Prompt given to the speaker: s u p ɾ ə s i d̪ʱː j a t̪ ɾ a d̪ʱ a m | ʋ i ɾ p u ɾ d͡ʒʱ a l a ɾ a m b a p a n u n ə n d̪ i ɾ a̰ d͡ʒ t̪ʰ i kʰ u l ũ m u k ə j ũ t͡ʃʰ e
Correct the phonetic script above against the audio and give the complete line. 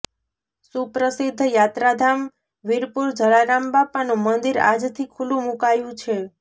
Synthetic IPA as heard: s u p ɾ ə s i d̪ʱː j a t̪ ɾ a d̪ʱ a m | ʋ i ɾ p u ɾ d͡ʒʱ ə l a ɾ a m b a p a n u m ə n d̪ i ɾ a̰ d͡ʒ t̪ʰ i kʰ u l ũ m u k a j ũ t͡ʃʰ e

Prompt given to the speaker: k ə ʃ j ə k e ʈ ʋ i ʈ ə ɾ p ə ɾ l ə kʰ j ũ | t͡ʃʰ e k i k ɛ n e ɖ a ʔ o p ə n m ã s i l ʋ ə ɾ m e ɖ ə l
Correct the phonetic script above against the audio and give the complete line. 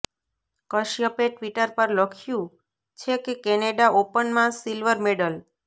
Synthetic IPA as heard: k ə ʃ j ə p e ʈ ʋ i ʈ ə ɾ p ə ɾ l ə kʰ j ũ | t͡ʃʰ e k e k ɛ n e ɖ a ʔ o p ə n m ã s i l ʋ ə ɾ m e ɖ ə l

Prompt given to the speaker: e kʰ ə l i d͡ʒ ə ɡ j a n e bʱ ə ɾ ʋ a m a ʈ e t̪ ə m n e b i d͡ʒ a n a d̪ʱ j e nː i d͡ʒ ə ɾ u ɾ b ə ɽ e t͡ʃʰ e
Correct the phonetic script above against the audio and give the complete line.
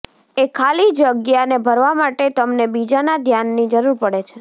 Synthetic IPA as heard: e kʰ a l i d͡ʒ ə ɡ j a n e bʱ ə ɾ ʋ a m a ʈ e t̪ ə m n e b i d͡ʒ a n a d̪ʱ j a nː i d͡ʒ ə ɾ u ɾ p ə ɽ e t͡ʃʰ e

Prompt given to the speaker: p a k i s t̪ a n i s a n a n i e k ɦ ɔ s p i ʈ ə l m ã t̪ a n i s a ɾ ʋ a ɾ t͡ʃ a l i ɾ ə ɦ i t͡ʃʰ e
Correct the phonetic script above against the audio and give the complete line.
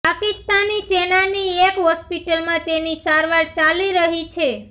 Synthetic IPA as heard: p a k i s t̪ a n i s e n a n i e k ɦ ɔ s p i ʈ ə l m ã t̪ e n i s a ɾ ʋ a ɾ t͡ʃ a l i ɾ ə ɦ i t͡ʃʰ e

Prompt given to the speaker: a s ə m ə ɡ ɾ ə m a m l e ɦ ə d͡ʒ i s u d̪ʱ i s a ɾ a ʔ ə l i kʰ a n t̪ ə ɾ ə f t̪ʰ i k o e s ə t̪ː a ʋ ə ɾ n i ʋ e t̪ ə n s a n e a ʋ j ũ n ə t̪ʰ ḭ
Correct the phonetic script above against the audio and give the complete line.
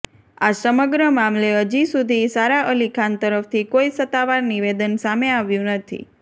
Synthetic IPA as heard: a s ə m ə ɡ ɾ ə m a m l e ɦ ə d͡ʒ i s u d̪ʱ i s a ɾ a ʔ ə l i kʰ a n t̪ ə ɾ ə f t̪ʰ i k o i s ə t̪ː a ʋ a ɾ n i ʋ e d̪ ə n s a m e a ʋ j ũ n ə t̪ʰ ḭ

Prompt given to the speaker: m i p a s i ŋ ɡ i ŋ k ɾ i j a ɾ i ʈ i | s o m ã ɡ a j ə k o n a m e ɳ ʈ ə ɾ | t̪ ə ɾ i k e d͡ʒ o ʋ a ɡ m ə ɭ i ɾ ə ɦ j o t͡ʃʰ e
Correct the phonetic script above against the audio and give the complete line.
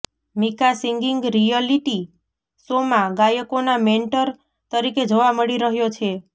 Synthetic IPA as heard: m i k a s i ŋ ɡ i ŋ ɡ ɾ i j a l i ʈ i | s o m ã ɡ a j ə k o n a m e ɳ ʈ ə ɾ | t̪ ə ɾ i k e d͡ʒ o ʋ a m ə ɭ i ɾ ə ɦ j o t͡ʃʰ e

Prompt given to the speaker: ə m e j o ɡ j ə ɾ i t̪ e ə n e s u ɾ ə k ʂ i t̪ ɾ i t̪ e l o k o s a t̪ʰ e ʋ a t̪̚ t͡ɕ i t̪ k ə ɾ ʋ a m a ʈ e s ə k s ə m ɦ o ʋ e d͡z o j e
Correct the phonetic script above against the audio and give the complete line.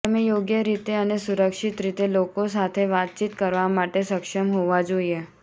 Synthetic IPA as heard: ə m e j o ɡ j ə ɾ i t̪ e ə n e s u ɾ ə k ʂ i t̪ ɾ i t̪ e l o k o s a t̪ʰ e ʋ a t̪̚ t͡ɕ i t̪ k ə ɾ ʋ a m a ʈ e s ə k ʂ ə m ɦ o ʋ a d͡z o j e

